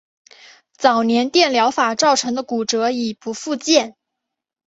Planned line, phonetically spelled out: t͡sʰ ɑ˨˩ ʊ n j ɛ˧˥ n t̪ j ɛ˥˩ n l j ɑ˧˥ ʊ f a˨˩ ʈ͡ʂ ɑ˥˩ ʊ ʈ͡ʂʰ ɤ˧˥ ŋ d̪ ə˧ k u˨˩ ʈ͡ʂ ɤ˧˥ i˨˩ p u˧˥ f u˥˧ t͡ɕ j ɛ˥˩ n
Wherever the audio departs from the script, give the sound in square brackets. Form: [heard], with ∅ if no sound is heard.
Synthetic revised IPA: [t͡s] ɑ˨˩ ʊ n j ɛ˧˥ n t̪ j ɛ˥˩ n l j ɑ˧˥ ʊ f a˨˩ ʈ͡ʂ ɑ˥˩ ʊ ʈ͡ʂʰ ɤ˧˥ ŋ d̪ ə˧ k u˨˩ ʈ͡ʂ ɤ˧˥ i˨˩ p u˧˥ f u˥˧ t͡ɕ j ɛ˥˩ n